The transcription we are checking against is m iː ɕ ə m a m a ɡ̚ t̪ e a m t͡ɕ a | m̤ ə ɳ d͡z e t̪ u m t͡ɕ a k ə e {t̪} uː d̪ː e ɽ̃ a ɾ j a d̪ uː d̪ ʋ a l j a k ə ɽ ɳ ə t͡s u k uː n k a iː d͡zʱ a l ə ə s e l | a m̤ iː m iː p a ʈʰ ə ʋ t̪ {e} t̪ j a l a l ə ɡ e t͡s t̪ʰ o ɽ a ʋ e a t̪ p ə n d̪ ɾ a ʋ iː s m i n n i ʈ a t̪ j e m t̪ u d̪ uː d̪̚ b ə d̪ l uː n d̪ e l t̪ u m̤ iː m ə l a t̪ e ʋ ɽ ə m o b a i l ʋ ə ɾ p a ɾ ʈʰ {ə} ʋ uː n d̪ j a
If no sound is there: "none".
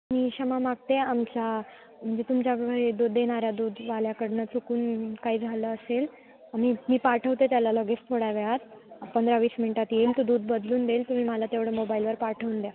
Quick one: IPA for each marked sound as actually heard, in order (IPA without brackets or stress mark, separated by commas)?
d̪, e, ə